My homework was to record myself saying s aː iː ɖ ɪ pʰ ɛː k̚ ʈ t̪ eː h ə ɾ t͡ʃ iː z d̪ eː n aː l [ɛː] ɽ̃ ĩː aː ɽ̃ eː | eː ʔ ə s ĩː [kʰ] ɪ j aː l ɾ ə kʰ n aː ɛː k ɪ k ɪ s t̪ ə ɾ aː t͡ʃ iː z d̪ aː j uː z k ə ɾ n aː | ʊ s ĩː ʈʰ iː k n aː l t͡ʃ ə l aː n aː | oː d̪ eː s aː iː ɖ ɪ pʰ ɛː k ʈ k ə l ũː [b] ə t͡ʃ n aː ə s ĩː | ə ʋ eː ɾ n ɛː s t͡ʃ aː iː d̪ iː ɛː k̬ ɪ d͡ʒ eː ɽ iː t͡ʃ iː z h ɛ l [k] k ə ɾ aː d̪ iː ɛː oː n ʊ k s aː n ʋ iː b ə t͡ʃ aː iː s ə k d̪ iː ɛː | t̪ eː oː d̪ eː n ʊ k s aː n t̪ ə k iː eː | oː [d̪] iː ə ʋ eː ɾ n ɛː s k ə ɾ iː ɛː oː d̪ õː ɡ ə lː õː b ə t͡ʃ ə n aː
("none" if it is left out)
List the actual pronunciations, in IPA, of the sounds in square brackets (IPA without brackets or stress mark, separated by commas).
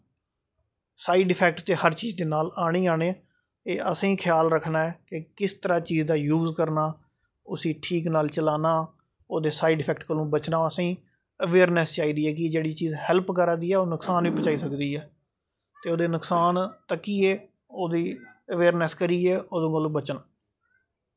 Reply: aː, kʰ, b, p, d̪